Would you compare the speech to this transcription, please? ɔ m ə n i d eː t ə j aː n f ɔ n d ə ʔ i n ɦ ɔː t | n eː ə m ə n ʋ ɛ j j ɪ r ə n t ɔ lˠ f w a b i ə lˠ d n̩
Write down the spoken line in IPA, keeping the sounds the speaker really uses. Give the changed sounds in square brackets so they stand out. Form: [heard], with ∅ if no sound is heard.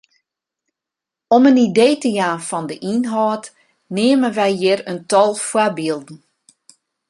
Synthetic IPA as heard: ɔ m ə n i d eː t ə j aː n f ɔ n d ə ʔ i n ɦ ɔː t | n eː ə m ə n ʋ ɛ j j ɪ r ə n t ɔ lˠ f w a b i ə lˠ d n̩